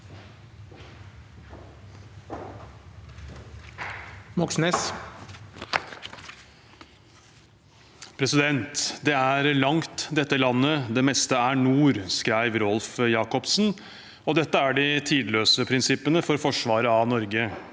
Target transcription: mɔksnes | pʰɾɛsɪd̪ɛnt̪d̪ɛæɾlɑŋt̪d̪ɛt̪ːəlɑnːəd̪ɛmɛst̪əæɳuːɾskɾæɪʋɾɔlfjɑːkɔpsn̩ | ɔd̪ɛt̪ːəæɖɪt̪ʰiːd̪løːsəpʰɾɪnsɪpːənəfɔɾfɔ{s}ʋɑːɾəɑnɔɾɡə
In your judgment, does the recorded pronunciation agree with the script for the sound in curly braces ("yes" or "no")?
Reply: no